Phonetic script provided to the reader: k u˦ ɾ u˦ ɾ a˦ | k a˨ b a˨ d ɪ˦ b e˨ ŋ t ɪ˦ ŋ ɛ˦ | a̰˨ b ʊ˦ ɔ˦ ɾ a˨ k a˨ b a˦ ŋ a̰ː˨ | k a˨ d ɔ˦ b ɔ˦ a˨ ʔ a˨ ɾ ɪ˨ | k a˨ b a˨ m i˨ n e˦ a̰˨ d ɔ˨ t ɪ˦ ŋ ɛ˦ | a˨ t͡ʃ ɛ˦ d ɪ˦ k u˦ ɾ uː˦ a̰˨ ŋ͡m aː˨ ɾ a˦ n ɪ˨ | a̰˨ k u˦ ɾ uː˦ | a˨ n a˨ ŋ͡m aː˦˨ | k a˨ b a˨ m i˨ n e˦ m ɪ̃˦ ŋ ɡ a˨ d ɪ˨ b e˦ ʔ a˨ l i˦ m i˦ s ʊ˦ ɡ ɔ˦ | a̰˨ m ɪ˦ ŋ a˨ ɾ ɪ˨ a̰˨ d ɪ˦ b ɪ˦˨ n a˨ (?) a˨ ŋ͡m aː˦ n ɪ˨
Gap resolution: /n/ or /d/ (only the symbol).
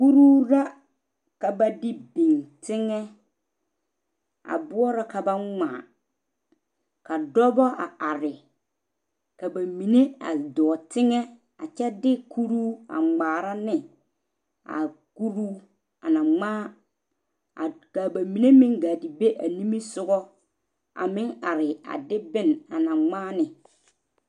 n